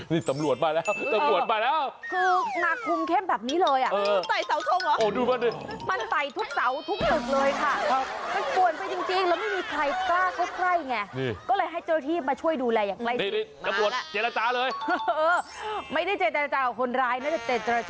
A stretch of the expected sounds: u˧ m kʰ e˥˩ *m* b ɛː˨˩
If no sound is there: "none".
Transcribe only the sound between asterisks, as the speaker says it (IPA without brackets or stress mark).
m